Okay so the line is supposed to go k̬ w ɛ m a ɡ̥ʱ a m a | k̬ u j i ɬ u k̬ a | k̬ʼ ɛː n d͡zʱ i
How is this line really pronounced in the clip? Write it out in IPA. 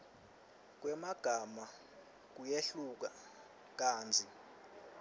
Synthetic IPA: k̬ w ɛ m a ɡ̥ʱ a m a | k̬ u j e ɬ u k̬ a | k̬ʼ aː n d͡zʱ i